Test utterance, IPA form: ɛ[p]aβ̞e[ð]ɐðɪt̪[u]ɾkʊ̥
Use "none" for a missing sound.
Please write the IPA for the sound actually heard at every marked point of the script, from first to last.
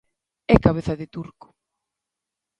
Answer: k, θ, u

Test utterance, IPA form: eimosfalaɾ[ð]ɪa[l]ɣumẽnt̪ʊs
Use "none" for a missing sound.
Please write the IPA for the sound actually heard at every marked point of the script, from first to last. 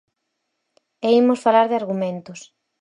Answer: ð, ɾ

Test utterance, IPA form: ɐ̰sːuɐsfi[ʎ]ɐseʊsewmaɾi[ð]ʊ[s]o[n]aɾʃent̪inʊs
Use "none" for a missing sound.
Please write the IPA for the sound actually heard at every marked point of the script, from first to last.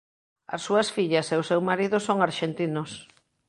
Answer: ʎ, ð, s, ŋ

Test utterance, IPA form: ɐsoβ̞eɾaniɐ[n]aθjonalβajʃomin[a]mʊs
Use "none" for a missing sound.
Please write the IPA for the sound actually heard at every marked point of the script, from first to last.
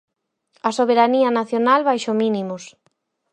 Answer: n, i

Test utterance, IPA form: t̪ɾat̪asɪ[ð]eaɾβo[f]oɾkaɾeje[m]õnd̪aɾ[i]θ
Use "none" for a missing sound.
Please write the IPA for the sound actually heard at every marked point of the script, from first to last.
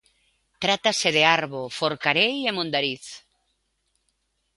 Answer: ð, f, m, i

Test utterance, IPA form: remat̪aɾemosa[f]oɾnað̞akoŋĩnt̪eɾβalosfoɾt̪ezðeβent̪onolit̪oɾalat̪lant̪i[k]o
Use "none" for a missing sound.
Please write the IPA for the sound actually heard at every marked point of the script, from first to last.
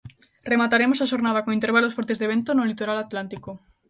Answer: ʃ, k

